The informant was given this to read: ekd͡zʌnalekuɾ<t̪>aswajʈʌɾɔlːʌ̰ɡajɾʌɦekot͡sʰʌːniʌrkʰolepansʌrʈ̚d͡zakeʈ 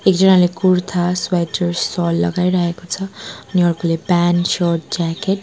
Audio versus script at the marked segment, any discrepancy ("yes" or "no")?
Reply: yes